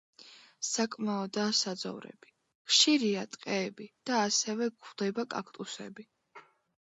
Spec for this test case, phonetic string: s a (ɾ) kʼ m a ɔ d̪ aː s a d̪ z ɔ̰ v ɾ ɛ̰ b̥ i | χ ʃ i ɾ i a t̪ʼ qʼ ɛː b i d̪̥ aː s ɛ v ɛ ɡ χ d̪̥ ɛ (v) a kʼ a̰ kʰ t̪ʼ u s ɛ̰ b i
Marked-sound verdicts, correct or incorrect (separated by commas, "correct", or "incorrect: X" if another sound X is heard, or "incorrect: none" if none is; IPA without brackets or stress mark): incorrect: none, incorrect: b